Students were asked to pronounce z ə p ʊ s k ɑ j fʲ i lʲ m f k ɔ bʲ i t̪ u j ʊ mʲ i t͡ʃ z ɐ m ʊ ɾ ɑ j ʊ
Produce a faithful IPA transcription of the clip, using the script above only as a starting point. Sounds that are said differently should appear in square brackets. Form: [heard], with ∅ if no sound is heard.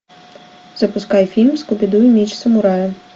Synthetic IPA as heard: z [ɐ] p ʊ s k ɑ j fʲ i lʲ m [s] k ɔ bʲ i [d̪] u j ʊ mʲ i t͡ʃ [s] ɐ m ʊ ɾ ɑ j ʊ